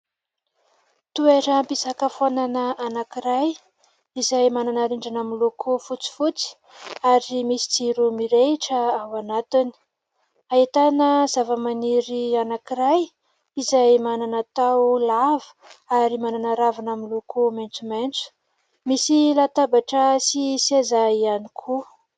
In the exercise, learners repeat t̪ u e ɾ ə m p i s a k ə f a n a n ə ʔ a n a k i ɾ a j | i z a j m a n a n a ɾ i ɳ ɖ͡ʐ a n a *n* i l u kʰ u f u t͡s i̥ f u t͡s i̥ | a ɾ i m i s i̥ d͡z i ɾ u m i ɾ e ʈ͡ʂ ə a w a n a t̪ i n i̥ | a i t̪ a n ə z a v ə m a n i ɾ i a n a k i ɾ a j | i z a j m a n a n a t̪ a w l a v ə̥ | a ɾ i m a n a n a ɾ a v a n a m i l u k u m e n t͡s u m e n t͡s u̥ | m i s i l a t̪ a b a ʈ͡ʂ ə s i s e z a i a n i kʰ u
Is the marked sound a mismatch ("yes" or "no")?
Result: yes